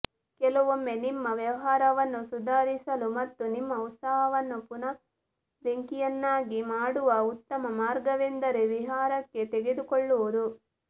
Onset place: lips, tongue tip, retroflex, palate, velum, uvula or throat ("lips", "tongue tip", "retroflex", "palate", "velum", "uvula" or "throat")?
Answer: velum